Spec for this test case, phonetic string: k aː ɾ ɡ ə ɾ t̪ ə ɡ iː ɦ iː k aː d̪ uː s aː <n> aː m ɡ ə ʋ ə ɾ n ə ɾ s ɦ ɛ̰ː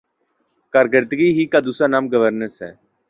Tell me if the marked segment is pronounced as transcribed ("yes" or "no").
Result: yes